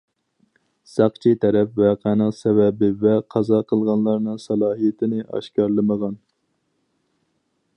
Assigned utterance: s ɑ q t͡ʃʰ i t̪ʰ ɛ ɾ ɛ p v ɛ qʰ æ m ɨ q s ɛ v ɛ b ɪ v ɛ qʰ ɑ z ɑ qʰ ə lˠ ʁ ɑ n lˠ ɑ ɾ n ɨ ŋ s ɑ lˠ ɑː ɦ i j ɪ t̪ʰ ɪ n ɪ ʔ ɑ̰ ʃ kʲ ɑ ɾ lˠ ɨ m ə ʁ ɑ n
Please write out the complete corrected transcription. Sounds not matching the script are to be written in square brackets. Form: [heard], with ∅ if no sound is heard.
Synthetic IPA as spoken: s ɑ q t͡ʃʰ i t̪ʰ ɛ ɾ ɛ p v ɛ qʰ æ [n] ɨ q s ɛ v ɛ b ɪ v ɛ qʰ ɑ z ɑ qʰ ə lˠ ʁ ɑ n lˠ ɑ ɾ n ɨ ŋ s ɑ lˠ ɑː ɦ i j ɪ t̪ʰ ɪ n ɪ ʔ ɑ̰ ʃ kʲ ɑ ɾ lˠ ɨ m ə ʁ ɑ n